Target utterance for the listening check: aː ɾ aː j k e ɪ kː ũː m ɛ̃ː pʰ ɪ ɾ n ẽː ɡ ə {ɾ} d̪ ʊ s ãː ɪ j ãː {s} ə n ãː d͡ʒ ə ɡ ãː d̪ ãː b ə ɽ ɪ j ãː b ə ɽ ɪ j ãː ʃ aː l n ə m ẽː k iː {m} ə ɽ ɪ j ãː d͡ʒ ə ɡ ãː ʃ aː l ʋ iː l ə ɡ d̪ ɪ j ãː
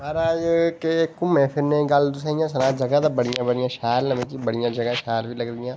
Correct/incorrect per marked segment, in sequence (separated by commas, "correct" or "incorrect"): incorrect, correct, incorrect